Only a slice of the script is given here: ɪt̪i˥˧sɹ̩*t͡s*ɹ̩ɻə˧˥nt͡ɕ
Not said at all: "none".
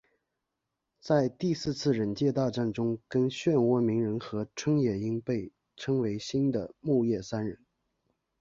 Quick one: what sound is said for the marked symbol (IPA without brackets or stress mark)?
t͡sʰ